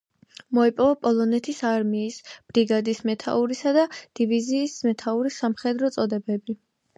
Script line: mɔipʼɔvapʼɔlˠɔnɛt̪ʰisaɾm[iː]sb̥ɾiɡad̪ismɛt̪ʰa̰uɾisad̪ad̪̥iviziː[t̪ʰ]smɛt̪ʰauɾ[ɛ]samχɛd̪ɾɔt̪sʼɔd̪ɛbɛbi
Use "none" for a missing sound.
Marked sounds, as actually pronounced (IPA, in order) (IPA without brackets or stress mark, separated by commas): iː, none, i